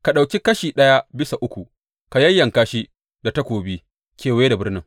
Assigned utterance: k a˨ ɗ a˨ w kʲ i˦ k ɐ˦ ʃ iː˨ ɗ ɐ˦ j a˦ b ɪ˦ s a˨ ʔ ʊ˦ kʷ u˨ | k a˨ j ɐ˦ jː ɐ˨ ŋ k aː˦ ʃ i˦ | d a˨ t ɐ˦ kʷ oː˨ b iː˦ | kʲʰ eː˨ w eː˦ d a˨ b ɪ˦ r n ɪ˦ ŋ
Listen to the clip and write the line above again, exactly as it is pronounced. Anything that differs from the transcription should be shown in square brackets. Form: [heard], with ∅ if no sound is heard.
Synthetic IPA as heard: k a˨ ɗ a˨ w kʲ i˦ k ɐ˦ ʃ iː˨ ɗ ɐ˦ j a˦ b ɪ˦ s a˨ ʔ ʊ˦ kʷ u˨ | k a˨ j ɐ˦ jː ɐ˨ ŋ k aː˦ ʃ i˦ | d a˨ t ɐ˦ kʷ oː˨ b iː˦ | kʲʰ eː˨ w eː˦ d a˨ b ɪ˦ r n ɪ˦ ŋ